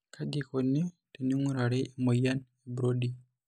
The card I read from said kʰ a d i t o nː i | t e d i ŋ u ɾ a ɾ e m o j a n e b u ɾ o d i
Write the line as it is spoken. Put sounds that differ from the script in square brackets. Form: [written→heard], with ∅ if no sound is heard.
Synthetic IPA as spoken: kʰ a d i [t→k] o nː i | t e [d→n] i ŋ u ɾ a ɾ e m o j a n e b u ɾ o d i